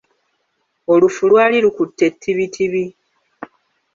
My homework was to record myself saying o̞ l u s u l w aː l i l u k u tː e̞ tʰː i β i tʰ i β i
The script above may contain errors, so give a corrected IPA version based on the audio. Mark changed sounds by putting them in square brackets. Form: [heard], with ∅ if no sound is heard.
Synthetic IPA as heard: o̞ l u [f] u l w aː l i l u k u tː e̞ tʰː i β i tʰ i β i